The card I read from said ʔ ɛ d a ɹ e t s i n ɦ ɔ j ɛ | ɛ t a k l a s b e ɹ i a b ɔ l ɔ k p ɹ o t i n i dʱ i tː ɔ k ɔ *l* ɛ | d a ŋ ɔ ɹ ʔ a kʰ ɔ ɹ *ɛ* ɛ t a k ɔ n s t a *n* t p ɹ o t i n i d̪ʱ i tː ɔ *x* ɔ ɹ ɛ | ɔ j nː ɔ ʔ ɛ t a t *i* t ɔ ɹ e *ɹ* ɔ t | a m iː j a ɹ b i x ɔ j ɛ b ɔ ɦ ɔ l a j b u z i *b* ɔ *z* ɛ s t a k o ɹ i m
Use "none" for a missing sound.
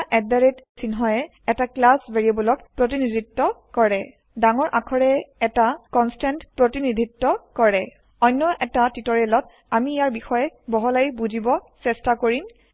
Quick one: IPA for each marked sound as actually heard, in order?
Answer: ɹ, ɛ, n, k, i, l, b, s

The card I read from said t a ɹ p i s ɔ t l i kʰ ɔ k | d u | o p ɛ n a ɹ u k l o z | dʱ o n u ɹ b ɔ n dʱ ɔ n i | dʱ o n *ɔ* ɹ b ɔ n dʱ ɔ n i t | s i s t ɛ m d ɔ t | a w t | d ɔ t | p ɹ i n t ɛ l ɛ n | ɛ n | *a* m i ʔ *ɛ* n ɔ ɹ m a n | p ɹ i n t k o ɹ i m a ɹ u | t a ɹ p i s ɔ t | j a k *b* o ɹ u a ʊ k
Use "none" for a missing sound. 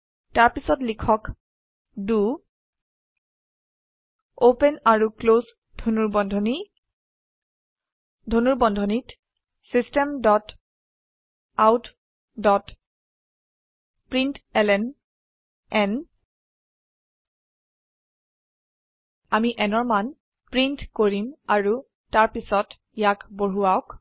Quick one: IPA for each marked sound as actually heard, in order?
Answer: u, a, ɛ, b

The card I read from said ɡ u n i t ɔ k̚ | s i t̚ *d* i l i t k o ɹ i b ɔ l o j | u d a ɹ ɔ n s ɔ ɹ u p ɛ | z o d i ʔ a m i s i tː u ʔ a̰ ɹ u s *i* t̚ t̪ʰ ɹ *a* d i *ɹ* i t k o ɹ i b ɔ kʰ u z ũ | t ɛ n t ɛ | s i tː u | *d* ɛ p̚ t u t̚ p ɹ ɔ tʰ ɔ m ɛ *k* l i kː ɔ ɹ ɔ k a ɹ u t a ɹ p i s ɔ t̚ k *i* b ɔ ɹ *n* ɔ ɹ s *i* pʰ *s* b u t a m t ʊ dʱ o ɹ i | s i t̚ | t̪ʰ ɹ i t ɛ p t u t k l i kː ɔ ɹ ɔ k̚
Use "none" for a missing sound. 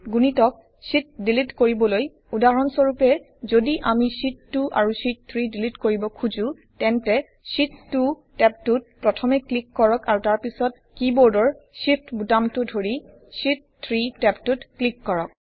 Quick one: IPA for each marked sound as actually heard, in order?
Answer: d, i, i, l, t, k, i, d, i, t

